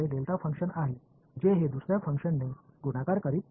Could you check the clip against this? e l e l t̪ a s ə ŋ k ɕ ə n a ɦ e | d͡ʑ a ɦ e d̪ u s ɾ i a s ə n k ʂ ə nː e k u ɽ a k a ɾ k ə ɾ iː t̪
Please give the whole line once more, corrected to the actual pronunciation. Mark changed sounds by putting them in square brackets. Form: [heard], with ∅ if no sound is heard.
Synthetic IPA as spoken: e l e l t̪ a [f] ə ŋ k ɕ ə n a ɦ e | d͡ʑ [e] ɦ e d̪ u s ɾ [j] a [f] ə [ŋ] k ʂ ə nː e [ɡ] u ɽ a k a ɾ k ə ɾ iː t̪